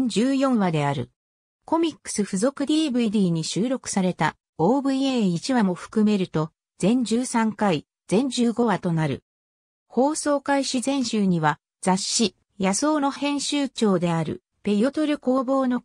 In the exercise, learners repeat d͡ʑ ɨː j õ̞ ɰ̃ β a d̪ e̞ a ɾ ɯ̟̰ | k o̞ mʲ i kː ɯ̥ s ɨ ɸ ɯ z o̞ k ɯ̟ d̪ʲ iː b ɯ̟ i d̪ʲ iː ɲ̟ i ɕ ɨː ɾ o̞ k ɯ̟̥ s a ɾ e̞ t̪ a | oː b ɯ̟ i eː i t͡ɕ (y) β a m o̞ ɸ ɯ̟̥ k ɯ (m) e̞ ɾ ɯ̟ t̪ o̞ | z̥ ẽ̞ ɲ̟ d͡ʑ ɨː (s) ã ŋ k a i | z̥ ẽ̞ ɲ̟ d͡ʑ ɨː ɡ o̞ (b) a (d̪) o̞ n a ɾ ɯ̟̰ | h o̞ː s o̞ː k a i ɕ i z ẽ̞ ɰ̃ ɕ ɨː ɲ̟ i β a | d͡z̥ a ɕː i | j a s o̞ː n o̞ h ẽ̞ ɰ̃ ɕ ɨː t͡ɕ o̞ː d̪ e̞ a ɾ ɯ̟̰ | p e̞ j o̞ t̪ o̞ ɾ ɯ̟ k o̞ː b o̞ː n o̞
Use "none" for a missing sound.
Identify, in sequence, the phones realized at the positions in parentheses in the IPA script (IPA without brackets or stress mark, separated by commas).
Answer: i, m, s, β, t̪